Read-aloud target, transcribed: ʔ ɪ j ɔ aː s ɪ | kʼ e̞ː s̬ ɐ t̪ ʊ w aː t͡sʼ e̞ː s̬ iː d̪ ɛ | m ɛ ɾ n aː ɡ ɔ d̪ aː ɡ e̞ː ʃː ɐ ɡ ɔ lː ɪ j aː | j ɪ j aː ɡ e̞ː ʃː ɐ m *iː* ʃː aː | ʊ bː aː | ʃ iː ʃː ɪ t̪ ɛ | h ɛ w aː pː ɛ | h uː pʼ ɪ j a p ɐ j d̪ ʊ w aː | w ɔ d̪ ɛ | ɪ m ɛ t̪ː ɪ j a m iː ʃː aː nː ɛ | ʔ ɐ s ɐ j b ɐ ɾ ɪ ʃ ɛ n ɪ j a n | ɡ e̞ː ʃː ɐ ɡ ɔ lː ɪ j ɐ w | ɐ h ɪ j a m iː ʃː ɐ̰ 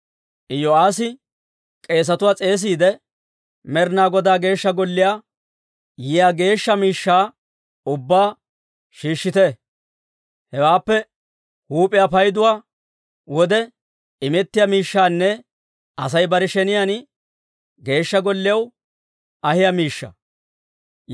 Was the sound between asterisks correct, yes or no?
yes